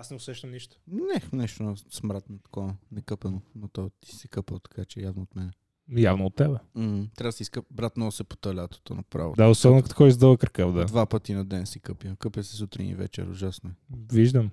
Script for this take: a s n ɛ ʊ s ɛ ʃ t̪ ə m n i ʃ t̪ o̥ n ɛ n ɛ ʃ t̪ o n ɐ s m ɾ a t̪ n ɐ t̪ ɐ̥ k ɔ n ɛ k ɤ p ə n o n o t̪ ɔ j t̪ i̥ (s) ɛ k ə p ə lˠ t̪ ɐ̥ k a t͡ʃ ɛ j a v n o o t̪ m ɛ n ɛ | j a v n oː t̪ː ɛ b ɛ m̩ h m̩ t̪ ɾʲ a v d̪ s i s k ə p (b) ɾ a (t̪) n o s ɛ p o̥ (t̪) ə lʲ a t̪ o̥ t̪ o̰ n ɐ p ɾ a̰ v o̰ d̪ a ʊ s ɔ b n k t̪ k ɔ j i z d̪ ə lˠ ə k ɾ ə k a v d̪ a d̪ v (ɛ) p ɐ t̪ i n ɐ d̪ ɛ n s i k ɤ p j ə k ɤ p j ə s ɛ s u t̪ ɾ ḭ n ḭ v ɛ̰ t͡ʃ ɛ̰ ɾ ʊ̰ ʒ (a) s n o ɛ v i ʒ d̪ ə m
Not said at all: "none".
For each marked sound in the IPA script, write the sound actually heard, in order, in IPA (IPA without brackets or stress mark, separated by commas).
s, b, t̪, t̪, a, a